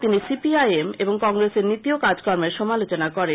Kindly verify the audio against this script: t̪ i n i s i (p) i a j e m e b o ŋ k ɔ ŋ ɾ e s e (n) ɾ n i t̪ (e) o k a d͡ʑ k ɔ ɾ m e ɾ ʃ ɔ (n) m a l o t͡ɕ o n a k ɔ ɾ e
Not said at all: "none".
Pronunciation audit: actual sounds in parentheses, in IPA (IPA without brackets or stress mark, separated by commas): p, none, i, none